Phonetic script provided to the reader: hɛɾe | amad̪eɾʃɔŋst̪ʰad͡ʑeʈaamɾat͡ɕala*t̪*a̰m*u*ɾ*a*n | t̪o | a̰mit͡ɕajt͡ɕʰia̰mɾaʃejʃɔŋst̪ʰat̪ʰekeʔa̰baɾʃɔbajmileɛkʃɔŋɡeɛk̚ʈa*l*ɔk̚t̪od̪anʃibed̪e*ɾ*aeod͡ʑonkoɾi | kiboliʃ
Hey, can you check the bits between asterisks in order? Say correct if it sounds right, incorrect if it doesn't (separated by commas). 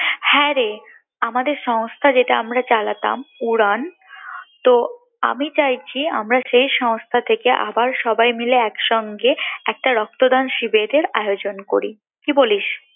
correct, correct, correct, incorrect, correct